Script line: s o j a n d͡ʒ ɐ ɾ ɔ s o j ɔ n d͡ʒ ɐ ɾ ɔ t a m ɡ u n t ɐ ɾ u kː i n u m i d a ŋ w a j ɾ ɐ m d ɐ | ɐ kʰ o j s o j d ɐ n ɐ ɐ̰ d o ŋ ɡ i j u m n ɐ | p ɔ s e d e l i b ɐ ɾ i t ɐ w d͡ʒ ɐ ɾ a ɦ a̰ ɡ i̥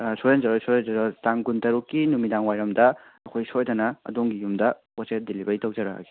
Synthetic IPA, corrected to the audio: s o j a n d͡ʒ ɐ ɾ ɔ s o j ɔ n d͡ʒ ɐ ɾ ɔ t a ŋ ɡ u n t ɐ ɾ u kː i n u m i d a ŋ w a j ɾ ɐ m d ɐ | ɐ kʰ o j s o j d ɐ n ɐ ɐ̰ d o ŋ ɡ i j u m d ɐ | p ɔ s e d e l i b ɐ ɾ i t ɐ w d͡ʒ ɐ ɾ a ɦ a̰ ɡ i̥